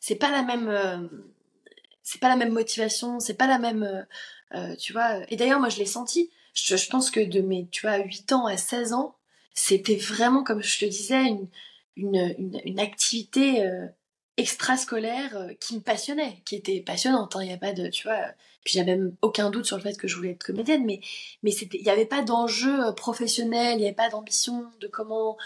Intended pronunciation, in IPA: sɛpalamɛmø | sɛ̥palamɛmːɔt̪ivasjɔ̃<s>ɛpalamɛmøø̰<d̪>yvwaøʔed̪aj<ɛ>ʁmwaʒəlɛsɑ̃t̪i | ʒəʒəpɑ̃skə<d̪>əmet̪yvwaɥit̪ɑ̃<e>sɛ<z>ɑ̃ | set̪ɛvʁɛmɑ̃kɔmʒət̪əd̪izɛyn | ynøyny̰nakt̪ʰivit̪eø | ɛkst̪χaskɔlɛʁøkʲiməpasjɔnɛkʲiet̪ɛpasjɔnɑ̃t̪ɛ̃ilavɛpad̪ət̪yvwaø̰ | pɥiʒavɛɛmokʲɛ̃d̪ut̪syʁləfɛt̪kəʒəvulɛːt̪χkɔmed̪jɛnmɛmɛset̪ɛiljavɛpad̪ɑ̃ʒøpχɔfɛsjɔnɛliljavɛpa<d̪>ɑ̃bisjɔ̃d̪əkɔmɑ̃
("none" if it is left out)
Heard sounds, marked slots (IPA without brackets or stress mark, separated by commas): s, t̪, œ, d̪, a, z, d̪